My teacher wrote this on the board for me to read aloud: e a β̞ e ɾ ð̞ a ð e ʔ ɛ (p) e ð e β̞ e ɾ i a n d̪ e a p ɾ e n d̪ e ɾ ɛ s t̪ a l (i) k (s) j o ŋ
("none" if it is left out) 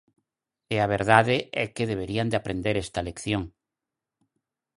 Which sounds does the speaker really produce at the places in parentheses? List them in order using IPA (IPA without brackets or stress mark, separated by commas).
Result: k, e, θ